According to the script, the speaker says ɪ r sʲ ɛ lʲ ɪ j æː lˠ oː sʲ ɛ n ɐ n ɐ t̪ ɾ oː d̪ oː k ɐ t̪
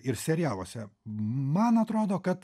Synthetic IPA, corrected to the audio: ɪ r sʲ ɛ ɾʲ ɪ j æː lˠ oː sʲ ɛ m ɐ n ɐ t̪ ɾ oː d̪ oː k ɐ t̪